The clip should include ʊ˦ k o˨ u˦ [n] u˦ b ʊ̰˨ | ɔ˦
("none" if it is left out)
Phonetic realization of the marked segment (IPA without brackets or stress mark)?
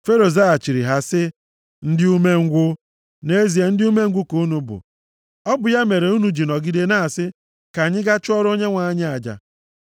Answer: n